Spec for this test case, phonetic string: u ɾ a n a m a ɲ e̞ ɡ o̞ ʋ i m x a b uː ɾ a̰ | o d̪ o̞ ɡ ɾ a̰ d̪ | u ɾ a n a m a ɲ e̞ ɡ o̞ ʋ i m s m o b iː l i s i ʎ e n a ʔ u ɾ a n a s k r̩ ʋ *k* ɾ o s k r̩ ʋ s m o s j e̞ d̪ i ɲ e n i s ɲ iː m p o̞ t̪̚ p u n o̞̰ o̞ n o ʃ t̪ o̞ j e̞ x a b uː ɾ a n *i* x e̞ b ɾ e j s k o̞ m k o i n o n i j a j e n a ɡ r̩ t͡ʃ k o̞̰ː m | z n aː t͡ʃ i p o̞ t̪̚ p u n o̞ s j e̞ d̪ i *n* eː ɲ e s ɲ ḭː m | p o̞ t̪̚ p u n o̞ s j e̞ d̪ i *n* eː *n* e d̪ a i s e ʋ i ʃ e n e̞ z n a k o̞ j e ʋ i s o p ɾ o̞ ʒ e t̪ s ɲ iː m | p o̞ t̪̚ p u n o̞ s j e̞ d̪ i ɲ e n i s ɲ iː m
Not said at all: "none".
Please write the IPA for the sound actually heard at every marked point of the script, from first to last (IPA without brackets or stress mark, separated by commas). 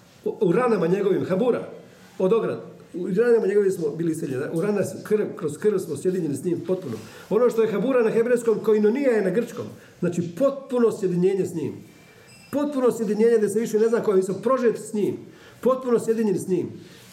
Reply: k, a, ɲ, ɲ, ɲ